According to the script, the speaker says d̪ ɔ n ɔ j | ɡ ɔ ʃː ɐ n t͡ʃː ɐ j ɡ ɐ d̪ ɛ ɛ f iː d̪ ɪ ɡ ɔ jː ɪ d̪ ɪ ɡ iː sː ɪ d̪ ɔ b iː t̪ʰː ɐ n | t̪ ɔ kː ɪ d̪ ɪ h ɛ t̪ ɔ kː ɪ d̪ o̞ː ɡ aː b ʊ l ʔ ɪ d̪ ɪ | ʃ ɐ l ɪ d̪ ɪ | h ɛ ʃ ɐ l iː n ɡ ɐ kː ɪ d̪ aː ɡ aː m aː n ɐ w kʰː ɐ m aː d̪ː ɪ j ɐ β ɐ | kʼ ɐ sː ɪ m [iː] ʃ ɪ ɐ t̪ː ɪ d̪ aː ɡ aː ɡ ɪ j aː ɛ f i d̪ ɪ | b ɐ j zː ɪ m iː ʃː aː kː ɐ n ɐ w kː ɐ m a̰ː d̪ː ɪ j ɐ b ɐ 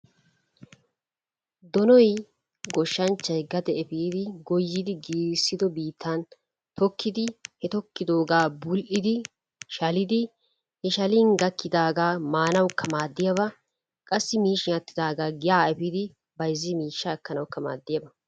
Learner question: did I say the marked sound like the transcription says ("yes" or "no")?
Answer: yes